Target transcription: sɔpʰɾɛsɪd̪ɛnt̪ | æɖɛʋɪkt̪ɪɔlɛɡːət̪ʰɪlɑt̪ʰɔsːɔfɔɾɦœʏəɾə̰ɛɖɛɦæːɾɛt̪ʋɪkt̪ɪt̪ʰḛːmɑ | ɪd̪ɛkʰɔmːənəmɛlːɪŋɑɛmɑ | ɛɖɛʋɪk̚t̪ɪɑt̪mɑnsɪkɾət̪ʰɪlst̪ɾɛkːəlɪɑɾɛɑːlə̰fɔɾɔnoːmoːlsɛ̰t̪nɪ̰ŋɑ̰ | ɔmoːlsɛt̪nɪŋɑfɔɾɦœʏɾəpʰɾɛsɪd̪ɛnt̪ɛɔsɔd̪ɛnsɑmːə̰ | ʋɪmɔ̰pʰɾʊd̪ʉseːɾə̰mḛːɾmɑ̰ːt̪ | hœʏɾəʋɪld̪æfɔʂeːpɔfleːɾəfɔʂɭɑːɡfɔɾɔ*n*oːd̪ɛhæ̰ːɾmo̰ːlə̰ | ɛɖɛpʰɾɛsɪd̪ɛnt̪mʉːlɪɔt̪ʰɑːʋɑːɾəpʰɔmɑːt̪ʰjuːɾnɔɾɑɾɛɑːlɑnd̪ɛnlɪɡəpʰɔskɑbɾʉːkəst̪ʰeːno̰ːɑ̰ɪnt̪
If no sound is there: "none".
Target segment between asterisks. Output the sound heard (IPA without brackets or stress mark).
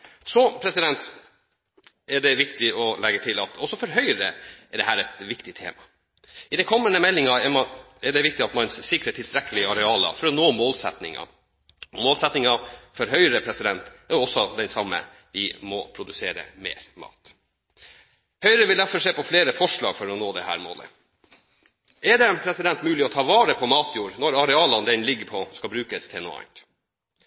n